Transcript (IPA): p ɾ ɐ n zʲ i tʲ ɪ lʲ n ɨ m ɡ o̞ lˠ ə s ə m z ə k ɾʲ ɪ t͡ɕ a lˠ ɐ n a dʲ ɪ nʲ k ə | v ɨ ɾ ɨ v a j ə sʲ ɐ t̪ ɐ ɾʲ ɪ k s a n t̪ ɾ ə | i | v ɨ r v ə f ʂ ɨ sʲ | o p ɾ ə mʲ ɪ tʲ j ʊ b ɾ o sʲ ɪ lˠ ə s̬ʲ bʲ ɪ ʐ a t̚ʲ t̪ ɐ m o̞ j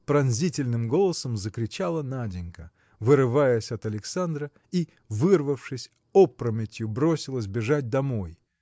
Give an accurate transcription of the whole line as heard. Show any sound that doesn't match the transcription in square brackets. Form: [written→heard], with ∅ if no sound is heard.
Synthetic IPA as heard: p ɾ ɐ n zʲ i tʲ ɪ lʲ n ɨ m ɡ o̞ lˠ ə s ə m z ə k ɾʲ ɪ t͡ɕ a lˠ [ɐ→ə] n a dʲ ɪ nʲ k ə | v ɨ ɾ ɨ v a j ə sʲ ɐ t̪ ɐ [ɾʲ→lʲ] ɪ k s a n [t̪→d̪] ɾ ə | i | v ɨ r v ə f ʂ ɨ sʲ | o p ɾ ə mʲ ɪ tʲ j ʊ b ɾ o sʲ ɪ lˠ ə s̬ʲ bʲ ɪ ʐ a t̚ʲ [t̪→d̪] ɐ m o̞ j